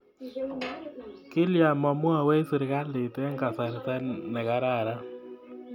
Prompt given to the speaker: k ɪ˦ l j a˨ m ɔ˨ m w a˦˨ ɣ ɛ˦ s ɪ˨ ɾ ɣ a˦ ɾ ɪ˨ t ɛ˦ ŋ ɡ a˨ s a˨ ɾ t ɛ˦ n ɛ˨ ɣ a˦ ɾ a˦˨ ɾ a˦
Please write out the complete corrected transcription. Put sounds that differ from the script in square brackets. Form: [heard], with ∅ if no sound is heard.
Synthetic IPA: k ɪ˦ l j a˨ m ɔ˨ m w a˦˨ [w] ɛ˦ s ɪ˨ ɾ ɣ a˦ [l] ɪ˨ t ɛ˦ ŋ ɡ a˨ s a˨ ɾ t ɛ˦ n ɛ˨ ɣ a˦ ɾ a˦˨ ɾ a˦